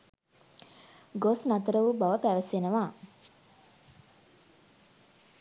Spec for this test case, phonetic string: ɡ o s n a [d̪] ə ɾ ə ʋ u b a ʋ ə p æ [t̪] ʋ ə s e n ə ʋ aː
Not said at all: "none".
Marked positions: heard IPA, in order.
t̪, none

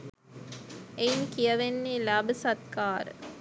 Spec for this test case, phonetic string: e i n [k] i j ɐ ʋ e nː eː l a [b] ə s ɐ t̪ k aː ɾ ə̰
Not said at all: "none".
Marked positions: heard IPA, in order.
k, b

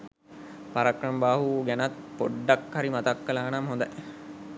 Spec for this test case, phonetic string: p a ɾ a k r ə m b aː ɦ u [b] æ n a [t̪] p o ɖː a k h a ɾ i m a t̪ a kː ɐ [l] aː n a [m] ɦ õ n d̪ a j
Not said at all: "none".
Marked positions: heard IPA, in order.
ɡ, t̪, l, m

